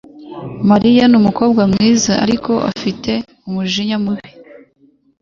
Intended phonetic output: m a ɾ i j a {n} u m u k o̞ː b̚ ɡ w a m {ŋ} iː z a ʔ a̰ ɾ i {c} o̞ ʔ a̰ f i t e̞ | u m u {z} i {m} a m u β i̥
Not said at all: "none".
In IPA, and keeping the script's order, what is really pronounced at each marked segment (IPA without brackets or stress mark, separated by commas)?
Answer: n, ŋ, k, ʒ, ɲ